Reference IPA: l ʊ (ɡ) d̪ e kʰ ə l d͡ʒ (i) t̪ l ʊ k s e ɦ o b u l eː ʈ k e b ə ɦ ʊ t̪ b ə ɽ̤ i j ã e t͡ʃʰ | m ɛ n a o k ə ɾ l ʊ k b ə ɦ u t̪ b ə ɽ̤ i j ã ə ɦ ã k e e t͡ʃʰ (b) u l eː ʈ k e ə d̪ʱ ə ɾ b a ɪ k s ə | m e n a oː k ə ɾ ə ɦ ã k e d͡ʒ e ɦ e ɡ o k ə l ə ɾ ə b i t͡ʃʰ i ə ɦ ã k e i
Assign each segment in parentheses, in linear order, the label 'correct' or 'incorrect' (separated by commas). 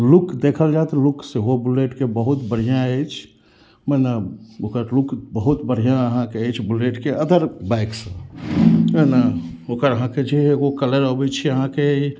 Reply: incorrect, incorrect, correct